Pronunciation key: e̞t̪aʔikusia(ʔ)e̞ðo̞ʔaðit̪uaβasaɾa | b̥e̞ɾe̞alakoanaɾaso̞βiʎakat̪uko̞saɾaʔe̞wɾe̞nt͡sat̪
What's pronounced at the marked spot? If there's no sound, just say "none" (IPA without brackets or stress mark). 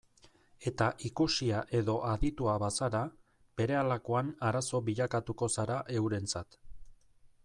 ʔ